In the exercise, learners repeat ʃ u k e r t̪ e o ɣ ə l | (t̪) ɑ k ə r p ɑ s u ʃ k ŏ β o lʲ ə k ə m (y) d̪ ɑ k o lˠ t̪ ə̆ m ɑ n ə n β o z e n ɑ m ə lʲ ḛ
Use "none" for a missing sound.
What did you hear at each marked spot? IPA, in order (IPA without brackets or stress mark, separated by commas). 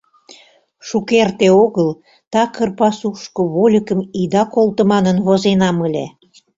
t̪, i